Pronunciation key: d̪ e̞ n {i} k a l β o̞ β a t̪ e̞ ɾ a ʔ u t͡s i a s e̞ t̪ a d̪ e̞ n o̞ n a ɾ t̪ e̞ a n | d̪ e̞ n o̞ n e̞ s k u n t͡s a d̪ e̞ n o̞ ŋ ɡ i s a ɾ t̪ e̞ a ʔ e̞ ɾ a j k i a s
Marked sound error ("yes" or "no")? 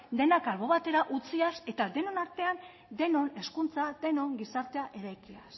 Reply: yes